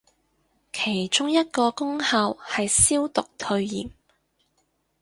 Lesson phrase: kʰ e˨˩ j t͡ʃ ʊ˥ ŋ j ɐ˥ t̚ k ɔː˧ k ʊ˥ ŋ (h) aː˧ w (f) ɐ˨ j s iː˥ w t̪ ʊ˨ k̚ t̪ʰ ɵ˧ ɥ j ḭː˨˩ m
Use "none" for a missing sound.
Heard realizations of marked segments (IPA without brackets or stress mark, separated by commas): h, h